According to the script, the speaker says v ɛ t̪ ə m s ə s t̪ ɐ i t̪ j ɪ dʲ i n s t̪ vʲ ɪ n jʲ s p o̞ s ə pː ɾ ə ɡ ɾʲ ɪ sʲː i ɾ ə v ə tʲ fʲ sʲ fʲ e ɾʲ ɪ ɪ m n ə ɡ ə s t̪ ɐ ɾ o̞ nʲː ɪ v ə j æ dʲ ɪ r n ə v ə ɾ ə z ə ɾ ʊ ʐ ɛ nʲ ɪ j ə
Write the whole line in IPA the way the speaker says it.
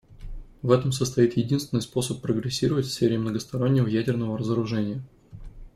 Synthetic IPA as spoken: v ɛ t̪ ə m s ə s t̪ ɐ i t̪ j ɪ dʲ i n s t̪ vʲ ɪ n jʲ s p o̞ s ə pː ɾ ə ɡ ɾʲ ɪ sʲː i ɾ ə v ə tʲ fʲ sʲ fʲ e ɾʲ ɪ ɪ m n ə ɡ ə s t̪ ɐ ɾ o̞ nʲː ɪ v ə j æ dʲ ɪ r n ə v ə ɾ ə z ə ɾ ʊ ʐ ɛ nʲ ɪ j ə